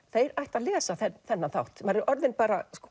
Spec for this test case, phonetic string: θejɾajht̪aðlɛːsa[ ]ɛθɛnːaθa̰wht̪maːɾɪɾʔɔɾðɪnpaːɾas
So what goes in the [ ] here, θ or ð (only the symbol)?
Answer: θ